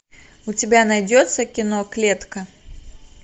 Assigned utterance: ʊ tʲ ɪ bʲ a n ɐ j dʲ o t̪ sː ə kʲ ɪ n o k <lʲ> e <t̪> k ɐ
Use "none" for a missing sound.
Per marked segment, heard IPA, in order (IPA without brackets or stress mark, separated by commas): lʲ, t̪